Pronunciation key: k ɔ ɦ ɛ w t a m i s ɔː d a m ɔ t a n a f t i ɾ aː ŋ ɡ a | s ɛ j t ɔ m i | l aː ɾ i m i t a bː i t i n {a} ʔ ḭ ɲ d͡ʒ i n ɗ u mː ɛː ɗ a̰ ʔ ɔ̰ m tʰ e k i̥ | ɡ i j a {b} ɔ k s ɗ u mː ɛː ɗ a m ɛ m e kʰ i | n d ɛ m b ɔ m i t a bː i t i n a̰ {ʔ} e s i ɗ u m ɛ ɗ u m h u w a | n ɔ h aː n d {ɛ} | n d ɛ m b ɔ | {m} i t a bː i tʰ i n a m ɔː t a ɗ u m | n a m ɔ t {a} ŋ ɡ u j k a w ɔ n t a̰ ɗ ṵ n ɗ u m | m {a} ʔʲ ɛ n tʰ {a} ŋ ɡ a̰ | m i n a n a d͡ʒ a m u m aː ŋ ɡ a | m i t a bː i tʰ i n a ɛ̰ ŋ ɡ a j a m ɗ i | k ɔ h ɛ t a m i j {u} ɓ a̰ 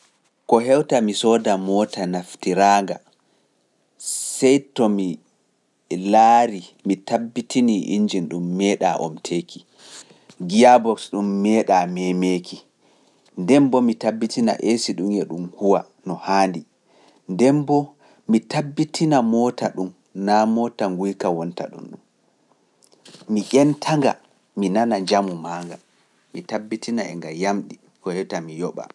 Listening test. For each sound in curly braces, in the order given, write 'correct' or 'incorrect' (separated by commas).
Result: incorrect, correct, correct, incorrect, correct, correct, incorrect, correct, incorrect